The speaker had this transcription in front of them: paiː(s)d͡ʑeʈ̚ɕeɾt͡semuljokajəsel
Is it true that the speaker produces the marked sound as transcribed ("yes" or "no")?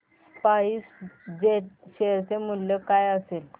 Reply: yes